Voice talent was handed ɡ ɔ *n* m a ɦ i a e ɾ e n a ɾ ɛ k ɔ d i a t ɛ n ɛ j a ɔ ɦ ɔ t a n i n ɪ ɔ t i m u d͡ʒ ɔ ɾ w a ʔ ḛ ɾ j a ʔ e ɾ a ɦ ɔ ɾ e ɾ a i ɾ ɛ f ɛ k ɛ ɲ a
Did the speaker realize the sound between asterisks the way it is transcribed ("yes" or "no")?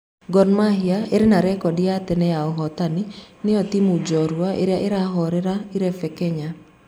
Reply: yes